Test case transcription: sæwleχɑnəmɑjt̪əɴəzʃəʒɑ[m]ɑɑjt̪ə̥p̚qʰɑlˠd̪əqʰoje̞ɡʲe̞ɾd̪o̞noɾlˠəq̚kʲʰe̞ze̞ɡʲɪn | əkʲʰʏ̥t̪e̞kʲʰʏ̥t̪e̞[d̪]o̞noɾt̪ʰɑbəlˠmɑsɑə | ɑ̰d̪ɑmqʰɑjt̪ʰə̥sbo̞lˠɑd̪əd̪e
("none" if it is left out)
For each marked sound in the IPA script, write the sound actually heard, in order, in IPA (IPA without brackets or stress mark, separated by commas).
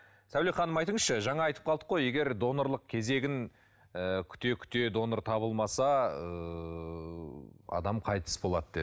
ɴ, d̪